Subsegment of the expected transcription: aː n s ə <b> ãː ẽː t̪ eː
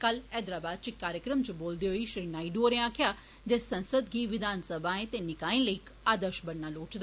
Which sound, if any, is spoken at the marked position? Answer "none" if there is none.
b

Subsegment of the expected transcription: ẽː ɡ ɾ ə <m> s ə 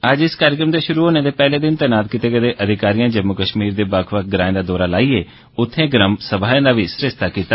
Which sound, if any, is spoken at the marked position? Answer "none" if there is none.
m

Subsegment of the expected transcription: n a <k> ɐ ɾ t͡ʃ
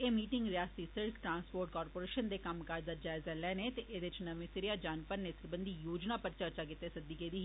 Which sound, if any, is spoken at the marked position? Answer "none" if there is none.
p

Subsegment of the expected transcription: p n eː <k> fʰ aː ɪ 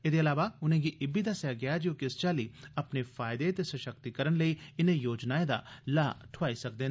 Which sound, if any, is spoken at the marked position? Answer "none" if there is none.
none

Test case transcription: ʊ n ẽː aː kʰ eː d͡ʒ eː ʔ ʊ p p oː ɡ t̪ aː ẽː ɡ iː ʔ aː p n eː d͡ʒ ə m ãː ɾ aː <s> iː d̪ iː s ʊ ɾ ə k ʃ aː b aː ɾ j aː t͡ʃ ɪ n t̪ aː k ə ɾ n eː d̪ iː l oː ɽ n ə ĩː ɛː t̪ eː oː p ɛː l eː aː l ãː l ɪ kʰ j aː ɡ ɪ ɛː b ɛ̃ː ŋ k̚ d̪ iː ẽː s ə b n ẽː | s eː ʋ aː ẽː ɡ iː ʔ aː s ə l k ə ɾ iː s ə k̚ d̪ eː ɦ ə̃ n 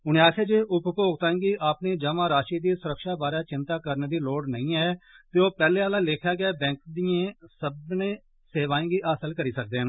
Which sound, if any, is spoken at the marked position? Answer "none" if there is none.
ʃ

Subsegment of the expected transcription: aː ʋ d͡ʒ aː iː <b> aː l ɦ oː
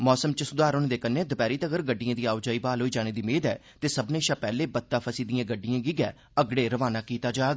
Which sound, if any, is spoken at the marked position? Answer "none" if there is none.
b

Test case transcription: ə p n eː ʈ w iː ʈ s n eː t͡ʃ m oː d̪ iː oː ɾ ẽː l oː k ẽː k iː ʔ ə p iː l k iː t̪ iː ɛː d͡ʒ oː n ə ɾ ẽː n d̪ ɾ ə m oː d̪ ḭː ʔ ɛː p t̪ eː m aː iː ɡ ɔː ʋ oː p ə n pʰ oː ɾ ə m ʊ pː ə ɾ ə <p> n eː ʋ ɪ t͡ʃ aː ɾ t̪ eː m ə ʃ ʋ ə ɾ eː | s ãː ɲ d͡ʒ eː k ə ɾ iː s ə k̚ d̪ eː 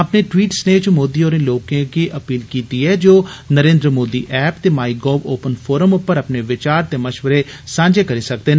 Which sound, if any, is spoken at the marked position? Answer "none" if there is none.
p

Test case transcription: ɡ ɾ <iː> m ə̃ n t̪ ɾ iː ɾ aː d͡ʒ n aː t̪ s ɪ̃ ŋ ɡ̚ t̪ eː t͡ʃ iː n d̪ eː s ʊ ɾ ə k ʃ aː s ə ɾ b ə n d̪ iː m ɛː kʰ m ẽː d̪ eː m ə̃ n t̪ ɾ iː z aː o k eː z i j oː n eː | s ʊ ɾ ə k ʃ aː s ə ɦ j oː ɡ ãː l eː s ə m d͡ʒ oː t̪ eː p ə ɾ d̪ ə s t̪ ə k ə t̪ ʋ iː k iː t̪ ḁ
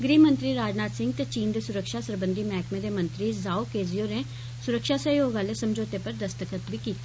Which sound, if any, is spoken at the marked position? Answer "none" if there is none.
iː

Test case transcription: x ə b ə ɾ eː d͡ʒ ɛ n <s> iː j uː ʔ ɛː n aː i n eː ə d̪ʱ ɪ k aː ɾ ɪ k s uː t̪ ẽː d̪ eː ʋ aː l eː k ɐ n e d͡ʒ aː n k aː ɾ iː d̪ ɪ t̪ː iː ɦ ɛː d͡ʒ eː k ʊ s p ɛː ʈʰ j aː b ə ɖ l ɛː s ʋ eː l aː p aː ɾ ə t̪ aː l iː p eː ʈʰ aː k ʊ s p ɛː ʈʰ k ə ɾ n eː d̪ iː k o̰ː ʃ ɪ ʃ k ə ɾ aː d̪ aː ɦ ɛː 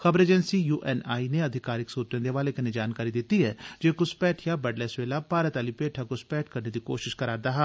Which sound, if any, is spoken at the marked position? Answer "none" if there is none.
s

